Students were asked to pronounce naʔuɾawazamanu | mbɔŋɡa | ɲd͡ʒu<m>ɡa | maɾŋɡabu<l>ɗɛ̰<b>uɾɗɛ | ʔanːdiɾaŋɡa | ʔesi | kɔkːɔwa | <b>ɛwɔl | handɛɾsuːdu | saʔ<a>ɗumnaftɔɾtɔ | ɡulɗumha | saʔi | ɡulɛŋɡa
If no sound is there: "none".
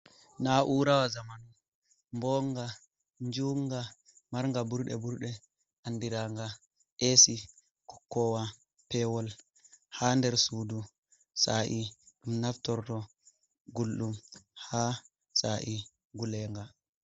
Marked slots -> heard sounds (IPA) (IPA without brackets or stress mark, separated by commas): ŋ, ɾ, b, p, i